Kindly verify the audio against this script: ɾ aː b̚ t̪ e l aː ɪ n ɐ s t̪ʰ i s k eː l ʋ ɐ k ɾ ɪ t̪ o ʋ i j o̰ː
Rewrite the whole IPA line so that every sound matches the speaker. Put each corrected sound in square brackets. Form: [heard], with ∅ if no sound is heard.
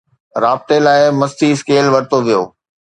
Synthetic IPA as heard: ɾ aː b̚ t̪ e l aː ɪ [m] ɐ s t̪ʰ i s k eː l ʋ ɐ [∅] ɾ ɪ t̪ o ʋ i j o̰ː